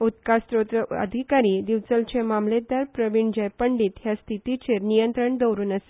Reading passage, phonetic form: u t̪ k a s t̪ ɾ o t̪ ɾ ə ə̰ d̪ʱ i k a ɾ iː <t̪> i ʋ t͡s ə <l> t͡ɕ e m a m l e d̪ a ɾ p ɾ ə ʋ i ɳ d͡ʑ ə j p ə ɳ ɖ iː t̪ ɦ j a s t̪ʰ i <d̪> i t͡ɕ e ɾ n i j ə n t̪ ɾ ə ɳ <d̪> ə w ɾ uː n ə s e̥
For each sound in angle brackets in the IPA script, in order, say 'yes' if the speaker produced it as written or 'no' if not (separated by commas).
no, yes, no, yes